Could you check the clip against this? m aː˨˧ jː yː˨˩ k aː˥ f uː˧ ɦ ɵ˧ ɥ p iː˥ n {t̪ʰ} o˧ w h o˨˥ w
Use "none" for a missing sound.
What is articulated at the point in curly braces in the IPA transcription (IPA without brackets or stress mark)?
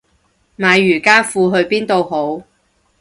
t̪